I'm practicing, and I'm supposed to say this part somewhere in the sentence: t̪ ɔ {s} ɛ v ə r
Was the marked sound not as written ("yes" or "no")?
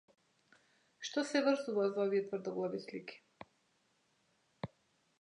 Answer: no